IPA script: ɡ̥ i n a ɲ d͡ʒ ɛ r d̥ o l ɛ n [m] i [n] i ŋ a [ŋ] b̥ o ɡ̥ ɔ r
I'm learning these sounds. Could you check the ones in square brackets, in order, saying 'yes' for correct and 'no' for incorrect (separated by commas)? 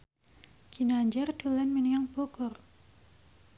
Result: yes, yes, yes